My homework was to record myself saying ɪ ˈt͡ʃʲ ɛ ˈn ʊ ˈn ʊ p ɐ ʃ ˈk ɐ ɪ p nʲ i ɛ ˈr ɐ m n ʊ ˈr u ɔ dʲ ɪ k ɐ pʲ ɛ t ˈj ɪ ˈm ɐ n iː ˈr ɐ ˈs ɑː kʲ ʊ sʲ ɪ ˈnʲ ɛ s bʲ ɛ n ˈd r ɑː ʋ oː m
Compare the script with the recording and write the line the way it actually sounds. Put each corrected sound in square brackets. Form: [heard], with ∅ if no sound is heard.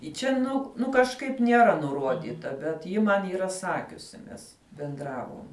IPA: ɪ ˈt͡ʃʲ ɛ ˈn ʊ ˈn ʊ [k] ɐ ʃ ˈk ɐ ɪ p nʲ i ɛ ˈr ɐ [∅] n ʊ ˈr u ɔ dʲ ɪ [t] ɐ [bʲ] ɛ t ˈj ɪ ˈm ɐ n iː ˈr ɐ ˈs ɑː kʲ ʊ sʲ ɪ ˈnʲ ɛ s bʲ ɛ n ˈd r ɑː ʋ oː m